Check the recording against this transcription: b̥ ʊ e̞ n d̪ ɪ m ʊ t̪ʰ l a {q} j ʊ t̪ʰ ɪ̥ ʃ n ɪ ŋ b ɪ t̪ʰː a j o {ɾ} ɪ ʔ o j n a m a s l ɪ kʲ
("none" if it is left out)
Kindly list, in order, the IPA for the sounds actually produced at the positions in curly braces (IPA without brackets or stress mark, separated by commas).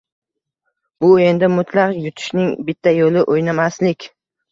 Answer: q, l